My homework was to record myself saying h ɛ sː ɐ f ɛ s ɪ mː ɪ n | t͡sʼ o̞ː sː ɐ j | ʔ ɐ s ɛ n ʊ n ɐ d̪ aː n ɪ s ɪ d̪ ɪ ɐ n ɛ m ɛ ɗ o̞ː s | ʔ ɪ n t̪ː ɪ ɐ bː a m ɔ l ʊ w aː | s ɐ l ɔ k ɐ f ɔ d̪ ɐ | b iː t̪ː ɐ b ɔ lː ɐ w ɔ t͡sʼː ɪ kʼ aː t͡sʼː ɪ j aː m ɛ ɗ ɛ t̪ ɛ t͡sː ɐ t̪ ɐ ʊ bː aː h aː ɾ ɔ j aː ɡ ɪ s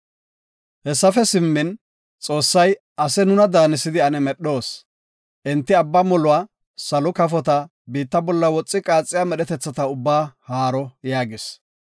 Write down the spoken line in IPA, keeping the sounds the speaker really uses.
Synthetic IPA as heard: h ɛ sː ɐ f ɛ s ɪ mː ɪ n | t͡sʼ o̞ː sː ɐ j | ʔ ɐ s ɛ n ʊ n ɐ d̪ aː n ɪ s ɪ d̪ ɪ ɐ n ɛ m ɛ ɗ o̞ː s | ʔ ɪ n t̪ː ɪ ɐ bː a m ɔ l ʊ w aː | s ɐ l ɔ k ɐ f ɔ t̪ ɐ | b iː t̪ː ɐ b ɔ lː ɐ w ɔ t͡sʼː ɪ kʼ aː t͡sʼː ɪ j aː m ɛ ɗ ɛ t̪ ɛ t͡sː ɐ t̪ ɐ ʊ bː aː h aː ɾ ɔ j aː ɡ ɪ s